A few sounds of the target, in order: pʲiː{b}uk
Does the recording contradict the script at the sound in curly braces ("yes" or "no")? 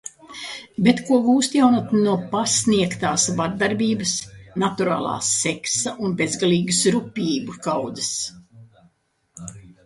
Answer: no